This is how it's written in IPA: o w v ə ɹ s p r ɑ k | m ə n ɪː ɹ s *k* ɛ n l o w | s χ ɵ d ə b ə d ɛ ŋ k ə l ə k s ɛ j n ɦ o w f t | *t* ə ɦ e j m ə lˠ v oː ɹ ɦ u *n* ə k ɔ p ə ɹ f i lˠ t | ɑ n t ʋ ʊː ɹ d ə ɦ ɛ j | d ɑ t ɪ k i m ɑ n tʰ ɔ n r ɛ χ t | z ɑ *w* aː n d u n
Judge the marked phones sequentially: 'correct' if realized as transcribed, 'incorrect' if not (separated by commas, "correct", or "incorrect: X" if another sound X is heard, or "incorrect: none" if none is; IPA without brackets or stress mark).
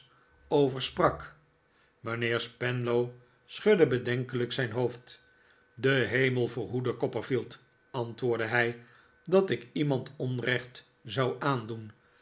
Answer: incorrect: p, incorrect: d, incorrect: d, correct